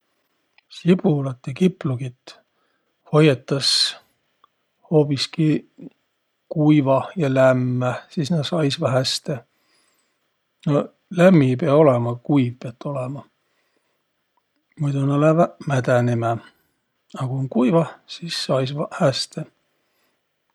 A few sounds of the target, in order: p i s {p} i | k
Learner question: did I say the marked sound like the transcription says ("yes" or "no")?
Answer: no